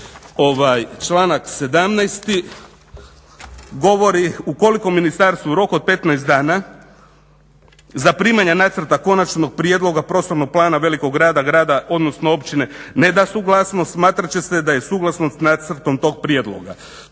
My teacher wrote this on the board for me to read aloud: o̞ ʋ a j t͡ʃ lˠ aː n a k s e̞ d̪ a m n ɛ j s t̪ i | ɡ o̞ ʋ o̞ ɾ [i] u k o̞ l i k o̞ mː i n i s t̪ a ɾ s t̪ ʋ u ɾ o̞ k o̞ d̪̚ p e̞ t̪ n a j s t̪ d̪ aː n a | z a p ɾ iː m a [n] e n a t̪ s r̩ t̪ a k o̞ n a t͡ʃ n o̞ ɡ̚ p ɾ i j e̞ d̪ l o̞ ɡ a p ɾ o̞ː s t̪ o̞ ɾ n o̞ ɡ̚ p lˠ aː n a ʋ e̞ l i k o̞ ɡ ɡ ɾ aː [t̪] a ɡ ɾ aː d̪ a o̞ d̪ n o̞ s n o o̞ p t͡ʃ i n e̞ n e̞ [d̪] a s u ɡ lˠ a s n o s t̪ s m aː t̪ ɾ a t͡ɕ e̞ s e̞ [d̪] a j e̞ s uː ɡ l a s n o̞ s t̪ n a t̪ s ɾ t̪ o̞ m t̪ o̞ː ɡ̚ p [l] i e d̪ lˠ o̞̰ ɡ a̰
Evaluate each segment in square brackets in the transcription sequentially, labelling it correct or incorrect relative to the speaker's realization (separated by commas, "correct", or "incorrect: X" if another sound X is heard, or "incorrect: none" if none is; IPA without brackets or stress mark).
correct, incorrect: ɲ, incorrect: d̪, correct, correct, incorrect: ɾ